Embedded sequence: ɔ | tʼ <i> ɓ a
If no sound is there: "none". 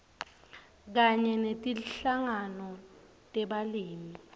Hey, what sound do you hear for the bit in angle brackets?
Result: ɛ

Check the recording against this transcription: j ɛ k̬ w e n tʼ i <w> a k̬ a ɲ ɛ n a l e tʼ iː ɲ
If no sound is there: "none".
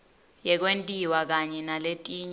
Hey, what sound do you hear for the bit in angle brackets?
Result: w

